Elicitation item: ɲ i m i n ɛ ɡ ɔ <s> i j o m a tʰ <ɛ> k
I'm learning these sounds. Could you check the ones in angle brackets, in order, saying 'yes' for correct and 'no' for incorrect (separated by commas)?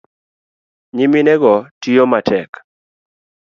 no, yes